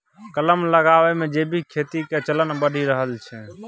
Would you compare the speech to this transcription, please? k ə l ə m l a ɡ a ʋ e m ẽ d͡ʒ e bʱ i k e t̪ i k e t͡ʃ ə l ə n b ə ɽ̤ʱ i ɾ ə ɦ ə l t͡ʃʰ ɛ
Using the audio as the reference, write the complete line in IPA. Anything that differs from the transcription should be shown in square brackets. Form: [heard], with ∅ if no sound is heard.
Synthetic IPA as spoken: k ə l ə m l [ə] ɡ a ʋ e m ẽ d͡ʒ e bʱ i [kʰ] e t̪ i k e t͡ʃ ə l ə n b ə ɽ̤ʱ i ɾ ə ɦ ə l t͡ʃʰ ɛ